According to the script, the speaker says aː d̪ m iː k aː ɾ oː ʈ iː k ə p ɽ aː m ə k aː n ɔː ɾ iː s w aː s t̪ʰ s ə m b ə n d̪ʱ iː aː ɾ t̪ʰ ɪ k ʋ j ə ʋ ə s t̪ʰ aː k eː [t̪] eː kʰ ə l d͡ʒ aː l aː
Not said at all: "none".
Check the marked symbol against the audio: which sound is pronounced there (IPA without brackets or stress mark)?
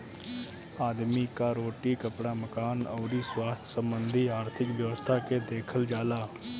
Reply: d̪